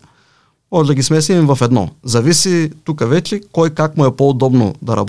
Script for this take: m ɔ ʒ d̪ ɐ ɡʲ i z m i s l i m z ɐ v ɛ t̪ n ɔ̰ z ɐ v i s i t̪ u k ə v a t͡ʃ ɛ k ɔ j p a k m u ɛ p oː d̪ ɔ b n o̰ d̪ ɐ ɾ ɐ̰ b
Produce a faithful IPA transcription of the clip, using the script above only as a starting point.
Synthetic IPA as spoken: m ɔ ʒ d̪ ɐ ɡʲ i s m ɛ s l i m v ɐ f ɛ d̪ n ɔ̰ z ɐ v i s i t̪ u k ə v ɛ t͡ʃ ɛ k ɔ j k a k m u ɛ p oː d̪ ɔ b n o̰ d̪ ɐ ɾ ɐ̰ b